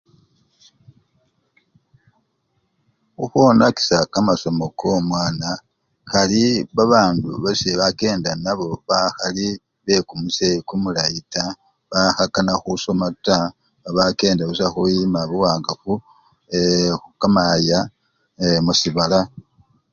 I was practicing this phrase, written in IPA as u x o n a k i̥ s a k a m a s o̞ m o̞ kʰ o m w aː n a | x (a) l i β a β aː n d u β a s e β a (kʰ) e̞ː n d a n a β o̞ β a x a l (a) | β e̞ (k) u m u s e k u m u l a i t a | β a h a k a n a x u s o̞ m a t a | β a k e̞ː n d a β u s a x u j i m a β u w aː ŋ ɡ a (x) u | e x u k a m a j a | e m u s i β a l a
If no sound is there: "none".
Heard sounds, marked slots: a, k, i, k, f

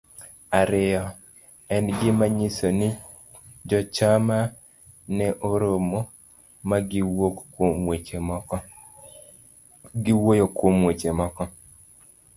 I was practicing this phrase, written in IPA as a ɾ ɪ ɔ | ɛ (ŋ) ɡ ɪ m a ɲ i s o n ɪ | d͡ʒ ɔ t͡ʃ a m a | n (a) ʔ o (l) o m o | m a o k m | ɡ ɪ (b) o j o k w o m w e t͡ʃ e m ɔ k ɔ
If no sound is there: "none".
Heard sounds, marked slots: n, ɛ, ɾ, w

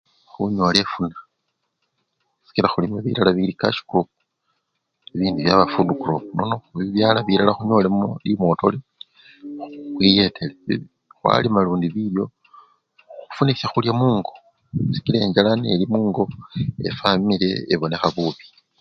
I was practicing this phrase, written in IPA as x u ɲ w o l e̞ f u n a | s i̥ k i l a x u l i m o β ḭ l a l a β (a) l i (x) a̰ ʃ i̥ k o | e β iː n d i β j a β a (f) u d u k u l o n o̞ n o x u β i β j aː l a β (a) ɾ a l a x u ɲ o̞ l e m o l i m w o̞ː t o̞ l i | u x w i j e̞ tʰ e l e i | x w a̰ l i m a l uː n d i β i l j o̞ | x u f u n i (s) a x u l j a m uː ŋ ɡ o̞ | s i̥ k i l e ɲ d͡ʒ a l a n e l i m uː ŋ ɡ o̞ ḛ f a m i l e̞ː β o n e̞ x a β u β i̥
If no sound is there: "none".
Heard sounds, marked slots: i, k, f, i, s

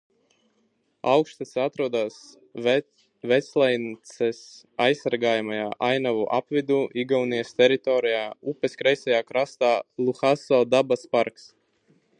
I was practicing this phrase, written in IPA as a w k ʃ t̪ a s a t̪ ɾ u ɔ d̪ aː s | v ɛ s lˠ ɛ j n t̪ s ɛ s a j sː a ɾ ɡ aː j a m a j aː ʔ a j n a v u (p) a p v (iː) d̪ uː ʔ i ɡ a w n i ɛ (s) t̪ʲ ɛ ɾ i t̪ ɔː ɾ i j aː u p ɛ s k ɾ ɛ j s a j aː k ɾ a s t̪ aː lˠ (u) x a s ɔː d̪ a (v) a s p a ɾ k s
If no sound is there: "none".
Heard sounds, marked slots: ʔ, i, s, u, b

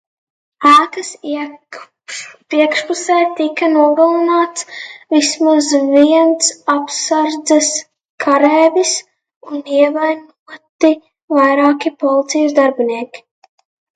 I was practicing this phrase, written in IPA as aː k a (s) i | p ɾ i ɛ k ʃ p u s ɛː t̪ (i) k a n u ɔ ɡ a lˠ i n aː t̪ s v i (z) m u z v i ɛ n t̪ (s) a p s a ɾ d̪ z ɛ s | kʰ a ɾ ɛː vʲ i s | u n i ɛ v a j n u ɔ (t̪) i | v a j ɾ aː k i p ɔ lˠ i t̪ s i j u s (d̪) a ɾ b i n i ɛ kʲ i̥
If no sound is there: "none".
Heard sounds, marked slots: s, i, s, s, t̪, d̪

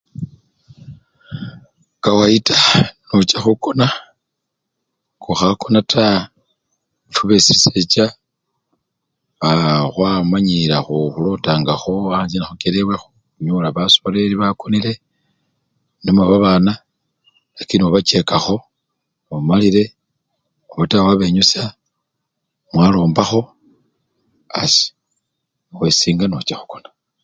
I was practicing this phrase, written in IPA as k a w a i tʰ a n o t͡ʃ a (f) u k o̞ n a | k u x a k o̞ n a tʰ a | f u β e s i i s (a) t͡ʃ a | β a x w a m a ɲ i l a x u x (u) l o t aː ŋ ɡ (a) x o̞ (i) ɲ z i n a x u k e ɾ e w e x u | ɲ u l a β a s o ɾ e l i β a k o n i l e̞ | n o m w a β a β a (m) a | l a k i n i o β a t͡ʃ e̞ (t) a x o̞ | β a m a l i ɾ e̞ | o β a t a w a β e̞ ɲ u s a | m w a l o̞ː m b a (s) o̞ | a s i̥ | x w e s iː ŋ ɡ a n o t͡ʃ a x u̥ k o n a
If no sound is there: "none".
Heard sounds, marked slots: x, e, u, a, a, n, k, x

